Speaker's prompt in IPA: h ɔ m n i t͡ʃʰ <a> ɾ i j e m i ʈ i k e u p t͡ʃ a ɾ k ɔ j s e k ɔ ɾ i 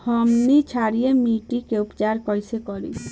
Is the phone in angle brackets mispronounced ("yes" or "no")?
no